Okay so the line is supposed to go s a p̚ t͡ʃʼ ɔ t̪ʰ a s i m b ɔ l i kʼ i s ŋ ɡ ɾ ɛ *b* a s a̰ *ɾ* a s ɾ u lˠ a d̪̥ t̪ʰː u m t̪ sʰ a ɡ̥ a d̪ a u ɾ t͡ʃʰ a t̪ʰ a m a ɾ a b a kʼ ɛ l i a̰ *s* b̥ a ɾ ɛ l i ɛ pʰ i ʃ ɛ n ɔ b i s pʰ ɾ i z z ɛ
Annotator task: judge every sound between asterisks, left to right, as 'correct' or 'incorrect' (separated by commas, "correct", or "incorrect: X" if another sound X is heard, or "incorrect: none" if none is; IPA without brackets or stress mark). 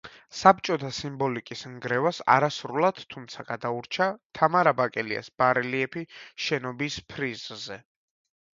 incorrect: v, correct, correct